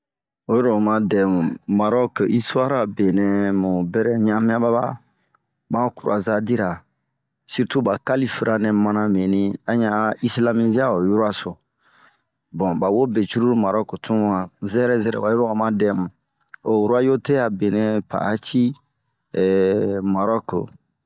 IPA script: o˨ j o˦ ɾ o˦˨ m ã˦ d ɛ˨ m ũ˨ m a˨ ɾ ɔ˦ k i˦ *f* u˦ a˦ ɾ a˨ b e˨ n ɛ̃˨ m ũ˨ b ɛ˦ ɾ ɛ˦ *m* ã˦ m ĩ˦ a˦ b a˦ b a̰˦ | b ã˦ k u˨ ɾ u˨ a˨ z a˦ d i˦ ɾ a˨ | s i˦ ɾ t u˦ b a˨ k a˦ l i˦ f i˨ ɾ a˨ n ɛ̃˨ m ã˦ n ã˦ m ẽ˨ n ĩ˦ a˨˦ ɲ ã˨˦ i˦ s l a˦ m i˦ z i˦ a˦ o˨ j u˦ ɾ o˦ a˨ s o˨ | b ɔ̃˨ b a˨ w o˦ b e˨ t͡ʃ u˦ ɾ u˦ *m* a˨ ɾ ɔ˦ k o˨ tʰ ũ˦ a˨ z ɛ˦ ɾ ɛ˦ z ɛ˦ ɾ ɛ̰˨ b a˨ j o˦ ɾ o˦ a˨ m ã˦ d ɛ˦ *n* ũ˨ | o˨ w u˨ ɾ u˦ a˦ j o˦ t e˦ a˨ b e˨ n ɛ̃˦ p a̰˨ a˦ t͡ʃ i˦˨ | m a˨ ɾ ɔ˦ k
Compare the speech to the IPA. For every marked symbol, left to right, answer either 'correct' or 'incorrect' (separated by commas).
incorrect, incorrect, correct, incorrect